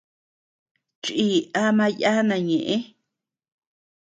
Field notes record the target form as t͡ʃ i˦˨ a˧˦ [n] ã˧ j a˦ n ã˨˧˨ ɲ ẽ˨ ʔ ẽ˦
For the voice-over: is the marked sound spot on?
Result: no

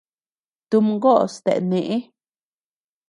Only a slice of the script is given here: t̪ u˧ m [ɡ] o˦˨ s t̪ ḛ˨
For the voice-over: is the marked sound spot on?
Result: yes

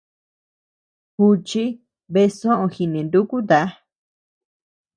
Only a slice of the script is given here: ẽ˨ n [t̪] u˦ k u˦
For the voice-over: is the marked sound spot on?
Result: no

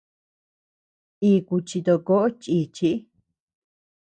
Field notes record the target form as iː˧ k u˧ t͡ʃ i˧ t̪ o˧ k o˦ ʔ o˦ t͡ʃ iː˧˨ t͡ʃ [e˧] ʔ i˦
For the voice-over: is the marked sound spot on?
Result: no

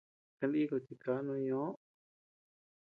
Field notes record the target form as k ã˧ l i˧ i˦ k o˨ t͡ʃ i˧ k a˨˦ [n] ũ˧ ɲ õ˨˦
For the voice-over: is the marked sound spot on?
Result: yes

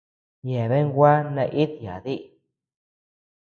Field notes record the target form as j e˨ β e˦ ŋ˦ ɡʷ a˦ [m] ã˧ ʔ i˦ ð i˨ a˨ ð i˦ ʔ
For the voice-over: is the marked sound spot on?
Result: no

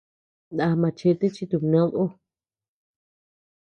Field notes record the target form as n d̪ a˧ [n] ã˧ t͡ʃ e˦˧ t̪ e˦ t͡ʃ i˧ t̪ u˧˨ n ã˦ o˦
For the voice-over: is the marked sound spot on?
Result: no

